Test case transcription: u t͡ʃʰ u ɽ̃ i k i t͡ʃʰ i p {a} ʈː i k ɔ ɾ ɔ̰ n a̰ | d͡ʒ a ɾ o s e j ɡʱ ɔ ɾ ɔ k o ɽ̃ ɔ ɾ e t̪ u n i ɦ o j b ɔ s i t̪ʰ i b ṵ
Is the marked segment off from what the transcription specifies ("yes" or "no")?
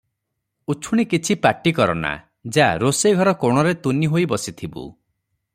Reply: no